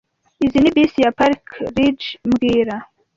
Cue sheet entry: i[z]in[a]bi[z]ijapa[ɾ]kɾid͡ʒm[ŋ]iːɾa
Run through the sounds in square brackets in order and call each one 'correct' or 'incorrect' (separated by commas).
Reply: correct, incorrect, incorrect, correct, incorrect